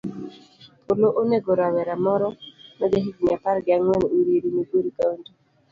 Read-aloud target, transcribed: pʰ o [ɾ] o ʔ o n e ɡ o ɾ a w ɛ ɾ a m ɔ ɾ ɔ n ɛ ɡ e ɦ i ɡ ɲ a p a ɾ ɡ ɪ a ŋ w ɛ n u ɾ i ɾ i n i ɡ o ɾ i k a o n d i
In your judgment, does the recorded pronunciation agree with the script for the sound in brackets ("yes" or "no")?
no